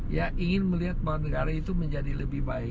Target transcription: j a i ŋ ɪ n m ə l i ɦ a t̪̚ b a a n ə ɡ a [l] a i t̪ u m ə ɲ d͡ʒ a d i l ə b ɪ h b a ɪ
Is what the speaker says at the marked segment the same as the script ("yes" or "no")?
no